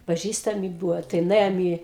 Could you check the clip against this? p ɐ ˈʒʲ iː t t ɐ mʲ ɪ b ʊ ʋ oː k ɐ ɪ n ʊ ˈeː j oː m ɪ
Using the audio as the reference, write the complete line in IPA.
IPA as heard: p ɐ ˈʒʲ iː s t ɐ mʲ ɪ b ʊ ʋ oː t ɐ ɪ n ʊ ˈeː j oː m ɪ